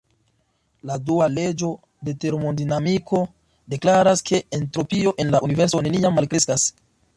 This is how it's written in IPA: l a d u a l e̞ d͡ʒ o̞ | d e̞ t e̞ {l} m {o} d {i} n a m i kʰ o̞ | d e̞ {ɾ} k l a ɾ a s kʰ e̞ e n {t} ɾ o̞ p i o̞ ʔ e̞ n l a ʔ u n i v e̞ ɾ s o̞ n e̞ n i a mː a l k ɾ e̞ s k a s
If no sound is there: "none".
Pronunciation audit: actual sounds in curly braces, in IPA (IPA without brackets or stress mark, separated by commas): ɾ, o, i, none, t